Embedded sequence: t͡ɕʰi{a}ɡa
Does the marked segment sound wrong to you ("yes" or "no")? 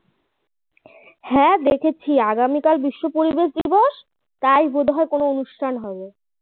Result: no